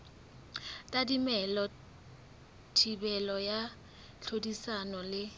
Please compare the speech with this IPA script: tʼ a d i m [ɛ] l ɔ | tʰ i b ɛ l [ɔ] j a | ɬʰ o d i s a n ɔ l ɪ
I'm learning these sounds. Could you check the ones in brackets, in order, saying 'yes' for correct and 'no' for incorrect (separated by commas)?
yes, yes